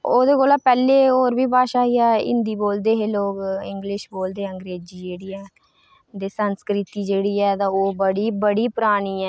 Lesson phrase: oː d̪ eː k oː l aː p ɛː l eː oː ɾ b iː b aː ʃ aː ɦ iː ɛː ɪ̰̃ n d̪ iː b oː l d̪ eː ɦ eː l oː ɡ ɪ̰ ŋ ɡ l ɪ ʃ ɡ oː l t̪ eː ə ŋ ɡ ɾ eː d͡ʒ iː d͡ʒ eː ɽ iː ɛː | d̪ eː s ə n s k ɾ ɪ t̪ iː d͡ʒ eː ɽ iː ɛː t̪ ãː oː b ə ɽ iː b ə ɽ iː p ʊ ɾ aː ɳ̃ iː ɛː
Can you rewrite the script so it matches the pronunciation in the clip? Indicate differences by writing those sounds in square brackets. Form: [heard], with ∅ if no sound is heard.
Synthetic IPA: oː d̪ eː k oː l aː p ɛː l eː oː ɾ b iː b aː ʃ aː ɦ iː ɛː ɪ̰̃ n d̪ iː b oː l d̪ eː ɦ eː l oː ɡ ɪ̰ ŋ ɡ l ɪ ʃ [b] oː l [d̪] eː ə ŋ ɡ ɾ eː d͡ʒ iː d͡ʒ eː ɽ iː ɛː | d̪ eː s ə n s k ɾ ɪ t̪ iː d͡ʒ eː ɽ iː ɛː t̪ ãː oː b ə ɽ iː b ə ɽ iː p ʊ ɾ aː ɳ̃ iː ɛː

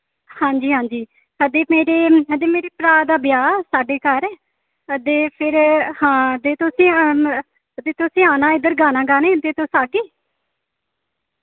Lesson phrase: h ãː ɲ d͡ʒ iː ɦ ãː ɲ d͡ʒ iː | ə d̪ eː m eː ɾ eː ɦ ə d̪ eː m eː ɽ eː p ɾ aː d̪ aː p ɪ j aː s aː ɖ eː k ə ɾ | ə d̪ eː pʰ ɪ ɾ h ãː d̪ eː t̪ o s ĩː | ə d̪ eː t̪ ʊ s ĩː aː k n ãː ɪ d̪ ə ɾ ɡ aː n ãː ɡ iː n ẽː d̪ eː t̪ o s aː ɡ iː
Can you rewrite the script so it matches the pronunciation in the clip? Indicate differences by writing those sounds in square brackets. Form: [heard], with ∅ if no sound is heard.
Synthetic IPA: h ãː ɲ d͡ʒ iː ɦ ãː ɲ d͡ʒ iː | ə d̪ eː m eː ɾ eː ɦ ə d̪ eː m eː [ɾ] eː p ɾ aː d̪ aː [b] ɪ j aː s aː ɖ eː k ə ɾ | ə d̪ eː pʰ ɪ ɾ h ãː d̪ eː t̪ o s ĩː | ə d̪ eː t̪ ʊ s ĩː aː [∅] n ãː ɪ d̪ ə ɾ ɡ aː n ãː ɡ [aː] n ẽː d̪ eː t̪ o s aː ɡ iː

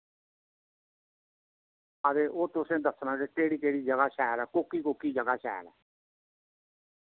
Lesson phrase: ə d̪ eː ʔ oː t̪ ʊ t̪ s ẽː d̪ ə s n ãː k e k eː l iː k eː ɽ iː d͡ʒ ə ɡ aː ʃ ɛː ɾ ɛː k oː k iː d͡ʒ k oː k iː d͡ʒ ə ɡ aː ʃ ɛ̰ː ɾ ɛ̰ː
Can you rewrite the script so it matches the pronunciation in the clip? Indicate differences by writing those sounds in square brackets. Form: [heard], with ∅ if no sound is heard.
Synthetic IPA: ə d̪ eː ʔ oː t̪ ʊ [∅] s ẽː d̪ ə s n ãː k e k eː [ɽ] iː k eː ɽ iː d͡ʒ ə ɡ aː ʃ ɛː ɾ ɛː k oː k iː [∅] k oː k iː d͡ʒ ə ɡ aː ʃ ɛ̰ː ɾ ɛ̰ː

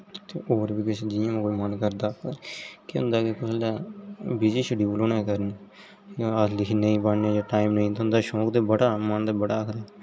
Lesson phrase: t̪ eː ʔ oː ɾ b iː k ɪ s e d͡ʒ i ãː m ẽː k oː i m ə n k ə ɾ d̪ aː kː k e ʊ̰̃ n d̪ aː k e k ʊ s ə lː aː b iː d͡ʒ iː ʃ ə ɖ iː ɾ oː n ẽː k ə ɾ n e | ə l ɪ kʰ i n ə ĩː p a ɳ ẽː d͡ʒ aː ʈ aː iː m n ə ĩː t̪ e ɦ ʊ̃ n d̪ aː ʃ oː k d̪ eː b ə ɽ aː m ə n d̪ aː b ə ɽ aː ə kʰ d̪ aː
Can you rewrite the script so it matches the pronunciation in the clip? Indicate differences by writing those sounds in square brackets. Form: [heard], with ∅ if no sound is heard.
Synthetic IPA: t̪ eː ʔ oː ɾ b iː k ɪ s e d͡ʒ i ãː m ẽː k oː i m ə n k ə ɾ d̪ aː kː k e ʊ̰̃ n d̪ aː k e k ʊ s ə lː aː b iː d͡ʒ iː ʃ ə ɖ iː [l] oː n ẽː k ə ɾ n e | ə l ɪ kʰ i n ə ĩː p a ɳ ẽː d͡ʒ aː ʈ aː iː m n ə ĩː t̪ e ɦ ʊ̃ n d̪ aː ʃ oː k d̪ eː b ə ɽ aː m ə n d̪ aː b ə ɽ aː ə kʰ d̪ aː

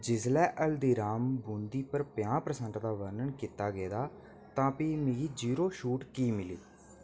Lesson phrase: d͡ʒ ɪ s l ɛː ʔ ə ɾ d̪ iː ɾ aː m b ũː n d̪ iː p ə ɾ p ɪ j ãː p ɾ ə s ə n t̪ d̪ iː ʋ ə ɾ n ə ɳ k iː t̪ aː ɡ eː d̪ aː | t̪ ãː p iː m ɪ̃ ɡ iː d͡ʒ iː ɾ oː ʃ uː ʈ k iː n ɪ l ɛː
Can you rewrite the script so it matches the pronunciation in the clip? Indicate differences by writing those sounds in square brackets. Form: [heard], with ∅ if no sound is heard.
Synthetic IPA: d͡ʒ ɪ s l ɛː ʔ ə [l] d̪ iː ɾ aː m b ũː n d̪ iː p ə ɾ p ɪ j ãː p ɾ ə s ə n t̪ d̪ [aː] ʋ ə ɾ n ə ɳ k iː t̪ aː ɡ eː d̪ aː | t̪ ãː p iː m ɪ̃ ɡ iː d͡ʒ iː ɾ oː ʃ uː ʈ k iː [m] ɪ l [iː]

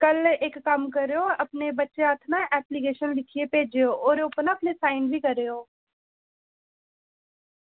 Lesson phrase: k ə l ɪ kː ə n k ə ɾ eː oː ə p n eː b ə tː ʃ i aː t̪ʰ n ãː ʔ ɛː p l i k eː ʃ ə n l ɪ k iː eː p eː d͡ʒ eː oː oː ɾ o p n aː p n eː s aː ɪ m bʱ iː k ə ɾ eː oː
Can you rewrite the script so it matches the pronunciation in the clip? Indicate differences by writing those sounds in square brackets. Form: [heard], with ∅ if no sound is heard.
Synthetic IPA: k ə l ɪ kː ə [m] k ə ɾ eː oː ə p n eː b ə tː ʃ [e] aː t̪ʰ n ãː ʔ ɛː p l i k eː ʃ ə n l ɪ [kʰ] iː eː p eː d͡ʒ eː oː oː ɾ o p n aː p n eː s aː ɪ [n] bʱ iː k ə ɾ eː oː

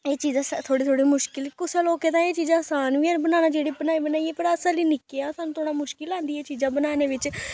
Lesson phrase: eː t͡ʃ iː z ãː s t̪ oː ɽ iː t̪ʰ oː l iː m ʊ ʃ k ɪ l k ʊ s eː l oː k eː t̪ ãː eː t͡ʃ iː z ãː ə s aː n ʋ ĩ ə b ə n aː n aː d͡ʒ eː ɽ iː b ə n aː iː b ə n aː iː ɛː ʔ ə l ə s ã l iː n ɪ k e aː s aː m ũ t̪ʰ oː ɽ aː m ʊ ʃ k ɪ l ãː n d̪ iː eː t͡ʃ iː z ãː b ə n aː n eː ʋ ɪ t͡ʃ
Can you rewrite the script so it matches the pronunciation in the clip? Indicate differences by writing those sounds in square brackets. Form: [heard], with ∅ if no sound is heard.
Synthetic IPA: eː t͡ʃ iː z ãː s [t̪ʰ] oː ɽ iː t̪ʰ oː [ɽ] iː m ʊ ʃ k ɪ l k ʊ s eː l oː k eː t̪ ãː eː t͡ʃ iː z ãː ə s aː n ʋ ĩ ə b ə n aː n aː d͡ʒ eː ɽ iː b ə n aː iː b ə n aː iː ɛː [p] ə [ɾ] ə s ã l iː n ɪ k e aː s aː [n] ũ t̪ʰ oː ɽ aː m ʊ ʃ k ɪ l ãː n d̪ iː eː t͡ʃ iː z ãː b ə n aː n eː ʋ ɪ t͡ʃ

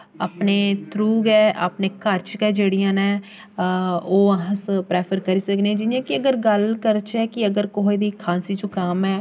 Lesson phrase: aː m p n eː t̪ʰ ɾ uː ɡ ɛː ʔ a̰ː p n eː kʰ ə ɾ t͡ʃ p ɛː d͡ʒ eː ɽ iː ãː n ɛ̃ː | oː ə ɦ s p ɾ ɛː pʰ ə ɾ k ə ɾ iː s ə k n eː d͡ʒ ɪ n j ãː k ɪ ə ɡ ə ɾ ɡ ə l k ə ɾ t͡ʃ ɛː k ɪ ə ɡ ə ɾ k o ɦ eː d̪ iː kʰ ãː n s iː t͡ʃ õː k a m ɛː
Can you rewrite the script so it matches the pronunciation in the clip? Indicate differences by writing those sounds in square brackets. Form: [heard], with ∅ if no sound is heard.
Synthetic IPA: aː [∅] p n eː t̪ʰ ɾ uː ɡ ɛː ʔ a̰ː p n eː [k] ə ɾ t͡ʃ [k] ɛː d͡ʒ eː ɽ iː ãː n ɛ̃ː | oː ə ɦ s p ɾ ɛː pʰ ə ɾ k ə ɾ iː s ə k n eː d͡ʒ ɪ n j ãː k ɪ ə ɡ ə ɾ ɡ ə l k ə ɾ t͡ʃ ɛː k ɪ ə ɡ ə ɾ k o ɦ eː d̪ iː kʰ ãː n s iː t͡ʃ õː k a m ɛː

